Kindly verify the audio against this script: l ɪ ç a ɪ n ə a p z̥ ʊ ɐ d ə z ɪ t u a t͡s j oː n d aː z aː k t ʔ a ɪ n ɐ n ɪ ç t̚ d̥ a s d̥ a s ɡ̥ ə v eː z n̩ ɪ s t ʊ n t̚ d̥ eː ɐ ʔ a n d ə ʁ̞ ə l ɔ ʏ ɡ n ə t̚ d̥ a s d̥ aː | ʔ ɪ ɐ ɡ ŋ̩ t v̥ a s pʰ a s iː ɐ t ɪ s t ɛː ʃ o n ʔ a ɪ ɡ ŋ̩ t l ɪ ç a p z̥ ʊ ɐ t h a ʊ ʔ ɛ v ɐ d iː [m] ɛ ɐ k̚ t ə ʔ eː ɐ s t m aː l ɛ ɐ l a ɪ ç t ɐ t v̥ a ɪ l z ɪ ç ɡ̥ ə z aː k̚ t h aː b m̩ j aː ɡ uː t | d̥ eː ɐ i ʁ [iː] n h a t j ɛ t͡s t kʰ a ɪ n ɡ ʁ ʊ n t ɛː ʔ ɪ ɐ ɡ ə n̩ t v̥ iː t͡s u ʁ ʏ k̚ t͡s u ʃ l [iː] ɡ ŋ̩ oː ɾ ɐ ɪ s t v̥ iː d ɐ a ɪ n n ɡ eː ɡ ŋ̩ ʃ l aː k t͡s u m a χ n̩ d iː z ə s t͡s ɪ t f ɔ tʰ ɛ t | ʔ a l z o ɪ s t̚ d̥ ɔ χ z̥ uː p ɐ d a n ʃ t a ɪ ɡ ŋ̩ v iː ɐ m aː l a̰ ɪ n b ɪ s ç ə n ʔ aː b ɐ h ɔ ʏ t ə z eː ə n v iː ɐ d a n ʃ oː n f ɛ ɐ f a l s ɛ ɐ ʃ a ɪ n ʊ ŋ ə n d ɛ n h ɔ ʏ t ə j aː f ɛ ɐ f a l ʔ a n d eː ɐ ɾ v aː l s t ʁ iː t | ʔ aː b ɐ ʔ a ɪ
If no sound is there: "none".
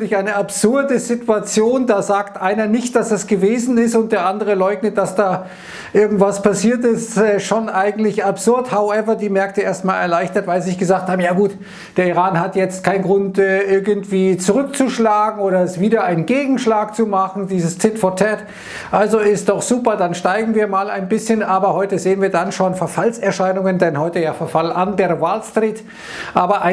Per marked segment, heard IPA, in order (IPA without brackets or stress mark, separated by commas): m, aː, aː